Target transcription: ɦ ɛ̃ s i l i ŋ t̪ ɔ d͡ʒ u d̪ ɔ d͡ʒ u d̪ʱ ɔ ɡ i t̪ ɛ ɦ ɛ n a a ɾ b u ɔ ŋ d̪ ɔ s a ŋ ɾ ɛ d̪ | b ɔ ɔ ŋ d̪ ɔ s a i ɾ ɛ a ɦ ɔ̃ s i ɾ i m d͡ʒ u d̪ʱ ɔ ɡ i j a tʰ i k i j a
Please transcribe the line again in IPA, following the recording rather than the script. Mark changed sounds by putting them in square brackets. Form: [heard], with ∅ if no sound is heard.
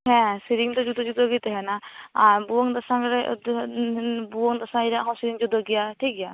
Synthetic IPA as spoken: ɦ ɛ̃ s i [ɾ] i ŋ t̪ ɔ d͡ʒ u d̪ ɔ d͡ʒ u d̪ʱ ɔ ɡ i t̪ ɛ ɦ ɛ n a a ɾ b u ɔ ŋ d̪ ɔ s a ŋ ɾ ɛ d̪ | b [u] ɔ ŋ d̪ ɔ s a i ɾ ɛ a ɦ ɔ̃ s i ɾ i [ŋ] d͡ʒ u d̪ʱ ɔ ɡ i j a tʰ i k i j a

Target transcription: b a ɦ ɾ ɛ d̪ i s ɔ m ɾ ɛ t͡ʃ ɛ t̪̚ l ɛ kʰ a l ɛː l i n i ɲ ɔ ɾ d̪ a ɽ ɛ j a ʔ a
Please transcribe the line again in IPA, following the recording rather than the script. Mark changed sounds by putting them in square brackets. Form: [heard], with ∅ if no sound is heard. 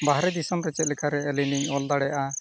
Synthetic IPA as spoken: b a ɦ ɾ ɛ d̪ i s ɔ m ɾ ɛ t͡ʃ ɛ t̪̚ l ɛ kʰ a [ɾ] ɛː l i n i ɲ ɔ [l] d̪ a ɽ ɛ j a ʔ a

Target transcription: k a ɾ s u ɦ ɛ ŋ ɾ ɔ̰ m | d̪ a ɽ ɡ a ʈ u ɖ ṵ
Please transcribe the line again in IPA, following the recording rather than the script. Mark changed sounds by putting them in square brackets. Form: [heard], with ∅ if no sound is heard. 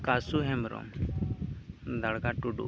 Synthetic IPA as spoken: k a [∅] s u ɦ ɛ [m] ɾ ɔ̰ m | d̪ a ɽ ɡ a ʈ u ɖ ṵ

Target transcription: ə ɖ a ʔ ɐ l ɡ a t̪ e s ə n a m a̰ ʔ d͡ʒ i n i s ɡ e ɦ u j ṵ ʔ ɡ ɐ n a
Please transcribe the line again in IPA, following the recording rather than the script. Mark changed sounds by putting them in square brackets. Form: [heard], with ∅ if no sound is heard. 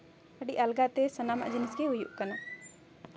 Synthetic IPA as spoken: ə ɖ [i] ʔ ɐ l ɡ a t̪ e s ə n a m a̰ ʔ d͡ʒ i n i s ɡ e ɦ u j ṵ ʔ [k] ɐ n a

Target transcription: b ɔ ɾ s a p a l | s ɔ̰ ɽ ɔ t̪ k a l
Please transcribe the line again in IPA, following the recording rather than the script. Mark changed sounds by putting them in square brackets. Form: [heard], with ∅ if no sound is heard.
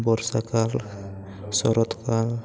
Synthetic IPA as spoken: b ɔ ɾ s a [k] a l | s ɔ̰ [ɾ] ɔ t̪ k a l

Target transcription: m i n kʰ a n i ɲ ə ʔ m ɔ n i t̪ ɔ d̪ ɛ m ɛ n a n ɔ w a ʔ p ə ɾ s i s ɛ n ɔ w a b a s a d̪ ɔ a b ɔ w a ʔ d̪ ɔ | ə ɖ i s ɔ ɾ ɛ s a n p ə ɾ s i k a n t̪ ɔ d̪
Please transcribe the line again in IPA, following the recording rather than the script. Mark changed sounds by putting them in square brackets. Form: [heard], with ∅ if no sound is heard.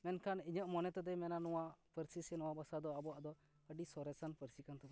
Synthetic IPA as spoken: m [ɛ] n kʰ a n i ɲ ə ʔ m ɔ n [ɛ] t̪ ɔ d̪ ɛ m ɛ n a n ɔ w a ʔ p ə ɾ s i s ɛ n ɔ w a b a s a d̪ ɔ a b ɔ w a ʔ d̪ ɔ | ə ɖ i s ɔ ɾ ɛ s a n p ə ɾ s i k a n t̪ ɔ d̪

